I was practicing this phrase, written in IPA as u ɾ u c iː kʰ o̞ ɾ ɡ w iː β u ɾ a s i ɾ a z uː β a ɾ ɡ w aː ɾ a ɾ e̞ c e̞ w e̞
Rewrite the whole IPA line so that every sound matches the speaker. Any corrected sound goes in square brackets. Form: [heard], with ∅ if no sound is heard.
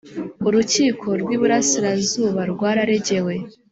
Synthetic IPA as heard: u ɾ u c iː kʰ o̞ ɾ ɡ w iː β u ɾ a s i ɾ a z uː β a ɾ ɡ w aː ɾ a ɾ e̞ [ɟ] e̞ w e̞

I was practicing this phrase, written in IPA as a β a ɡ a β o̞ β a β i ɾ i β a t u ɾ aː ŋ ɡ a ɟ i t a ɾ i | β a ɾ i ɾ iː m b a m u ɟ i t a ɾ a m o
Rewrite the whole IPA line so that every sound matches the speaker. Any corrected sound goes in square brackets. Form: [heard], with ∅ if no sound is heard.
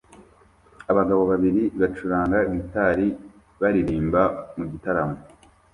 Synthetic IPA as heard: a β a ɡ a β o̞ β a β i ɾ i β a [t͡ʃ] u ɾ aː ŋ ɡ a [ɡ] i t a ɾ i | β a ɾ i ɾ iː m b a m u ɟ i t a ɾ a m o

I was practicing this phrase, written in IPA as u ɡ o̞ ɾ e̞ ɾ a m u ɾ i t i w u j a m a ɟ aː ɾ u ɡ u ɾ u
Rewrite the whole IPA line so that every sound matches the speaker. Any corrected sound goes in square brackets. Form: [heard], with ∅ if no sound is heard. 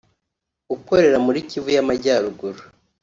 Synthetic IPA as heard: u [k] o̞ ɾ e̞ ɾ a m u ɾ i [c] i [v] u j a m a ɟ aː ɾ u ɡ u ɾ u

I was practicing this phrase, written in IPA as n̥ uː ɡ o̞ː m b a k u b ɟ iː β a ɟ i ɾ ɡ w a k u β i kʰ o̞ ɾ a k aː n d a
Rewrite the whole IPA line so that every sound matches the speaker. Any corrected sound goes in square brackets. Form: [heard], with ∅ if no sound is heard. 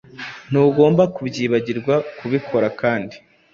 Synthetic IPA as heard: n̥ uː ɡ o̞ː m b a k u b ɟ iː β a ɟ i ɾ ɡ w a k u β i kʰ o̞ ɾ a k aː n d [i]

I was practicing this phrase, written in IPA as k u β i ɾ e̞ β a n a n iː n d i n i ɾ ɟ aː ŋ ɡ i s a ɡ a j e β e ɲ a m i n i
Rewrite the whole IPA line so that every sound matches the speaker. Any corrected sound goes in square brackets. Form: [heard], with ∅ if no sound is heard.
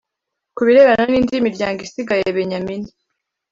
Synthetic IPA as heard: k u β i ɾ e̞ β a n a n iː n d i [m] i ɾ ɟ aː ŋ ɡ i s [i] ɡ a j e β e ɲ a m i n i

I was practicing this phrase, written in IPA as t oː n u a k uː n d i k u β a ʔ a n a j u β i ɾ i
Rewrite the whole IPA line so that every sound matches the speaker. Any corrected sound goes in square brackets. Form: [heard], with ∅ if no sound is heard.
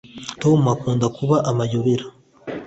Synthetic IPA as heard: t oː [m] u a k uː n d [a] k u β a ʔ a [m] a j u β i ɾ [a]

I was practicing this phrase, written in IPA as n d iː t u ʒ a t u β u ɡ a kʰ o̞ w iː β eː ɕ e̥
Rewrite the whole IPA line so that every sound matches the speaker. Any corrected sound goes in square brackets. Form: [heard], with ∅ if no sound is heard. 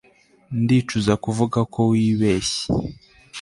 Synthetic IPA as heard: n d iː [t͡ʃ] u [z] a [k] u [v] u ɡ a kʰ o̞ w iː β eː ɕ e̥

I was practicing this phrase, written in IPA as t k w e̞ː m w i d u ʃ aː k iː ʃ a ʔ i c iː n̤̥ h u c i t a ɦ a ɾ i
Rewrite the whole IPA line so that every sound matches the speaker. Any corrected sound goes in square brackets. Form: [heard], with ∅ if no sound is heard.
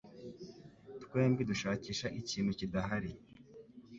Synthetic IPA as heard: t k w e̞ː m [b] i d u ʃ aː [c] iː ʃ a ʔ i c iː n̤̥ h u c i [d] a ɦ a ɾ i

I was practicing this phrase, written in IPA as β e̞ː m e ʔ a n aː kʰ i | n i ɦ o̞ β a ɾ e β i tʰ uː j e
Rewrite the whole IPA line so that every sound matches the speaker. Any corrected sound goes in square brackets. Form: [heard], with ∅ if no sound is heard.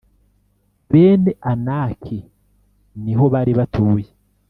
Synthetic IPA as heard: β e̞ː [n] e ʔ a n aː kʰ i | n i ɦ o̞ β a ɾ [i] β [a] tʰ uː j e

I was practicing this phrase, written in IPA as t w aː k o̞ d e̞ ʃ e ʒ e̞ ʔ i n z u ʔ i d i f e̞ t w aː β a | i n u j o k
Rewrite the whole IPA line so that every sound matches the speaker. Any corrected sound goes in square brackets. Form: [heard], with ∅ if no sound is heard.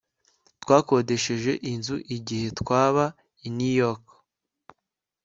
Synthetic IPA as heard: t w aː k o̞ d e̞ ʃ e ʒ e̞ ʔ i n z u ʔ i [ɟ] i [h] e̞ t w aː β a | i n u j o k

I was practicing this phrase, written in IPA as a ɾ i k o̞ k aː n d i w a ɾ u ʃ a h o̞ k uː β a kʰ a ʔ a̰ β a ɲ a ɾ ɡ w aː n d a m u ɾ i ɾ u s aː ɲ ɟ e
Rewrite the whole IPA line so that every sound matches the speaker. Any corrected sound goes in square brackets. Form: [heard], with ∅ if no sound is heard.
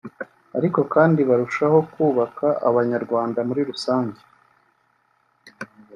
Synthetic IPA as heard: a ɾ i k o̞ k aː n d i [β] a ɾ u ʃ a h o̞ k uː β a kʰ a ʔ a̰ β a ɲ a ɾ ɡ w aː n d a m u ɾ i ɾ u s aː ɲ ɟ e

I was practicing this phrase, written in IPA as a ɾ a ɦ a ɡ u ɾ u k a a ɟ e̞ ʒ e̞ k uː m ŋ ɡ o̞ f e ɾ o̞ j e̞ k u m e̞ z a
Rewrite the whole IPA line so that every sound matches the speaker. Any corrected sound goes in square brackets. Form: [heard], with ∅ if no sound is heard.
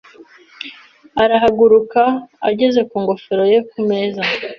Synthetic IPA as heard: a ɾ a ɦ a ɡ u ɾ u k a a ɟ e̞ [z] e̞ k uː [∅] ŋ ɡ o̞ f e ɾ o̞ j e̞ k u m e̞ z a

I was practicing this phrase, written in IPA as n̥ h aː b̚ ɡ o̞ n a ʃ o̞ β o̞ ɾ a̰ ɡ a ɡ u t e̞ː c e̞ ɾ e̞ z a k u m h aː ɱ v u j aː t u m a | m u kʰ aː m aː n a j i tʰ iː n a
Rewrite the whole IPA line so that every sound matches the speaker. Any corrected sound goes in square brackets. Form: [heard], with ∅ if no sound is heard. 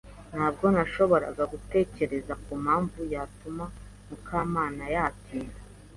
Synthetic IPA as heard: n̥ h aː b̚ ɡ o̞ n a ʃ o̞ β o̞ ɾ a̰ ɡ a ɡ u t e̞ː c e̞ ɾ e̞ z a k u m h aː ɱ v u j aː t u m a | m u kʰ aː m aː n a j [a] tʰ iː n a

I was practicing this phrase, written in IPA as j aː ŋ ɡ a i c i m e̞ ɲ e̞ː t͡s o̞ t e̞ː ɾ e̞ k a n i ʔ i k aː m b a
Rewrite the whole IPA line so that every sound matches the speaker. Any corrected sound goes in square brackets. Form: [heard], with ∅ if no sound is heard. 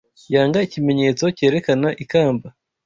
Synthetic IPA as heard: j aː ŋ ɡ a i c i m e̞ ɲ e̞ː t͡s o̞ [c] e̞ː ɾ e̞ k a n [a] ʔ i k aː m b a

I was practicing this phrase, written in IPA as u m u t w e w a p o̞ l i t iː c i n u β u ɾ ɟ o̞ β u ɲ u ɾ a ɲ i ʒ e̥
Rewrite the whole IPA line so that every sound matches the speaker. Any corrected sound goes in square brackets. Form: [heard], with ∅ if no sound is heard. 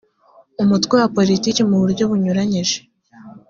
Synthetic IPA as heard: u m u t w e w a p o̞ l i t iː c i [m] u β u ɾ ɟ o̞ β u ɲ u ɾ a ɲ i ʒ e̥

